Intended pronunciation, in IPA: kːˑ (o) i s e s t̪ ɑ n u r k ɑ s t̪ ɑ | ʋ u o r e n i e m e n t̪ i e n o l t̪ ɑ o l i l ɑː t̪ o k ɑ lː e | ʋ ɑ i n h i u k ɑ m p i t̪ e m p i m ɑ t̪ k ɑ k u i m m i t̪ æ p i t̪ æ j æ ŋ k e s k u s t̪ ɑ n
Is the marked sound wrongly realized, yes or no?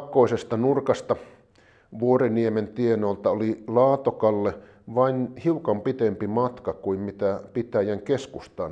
no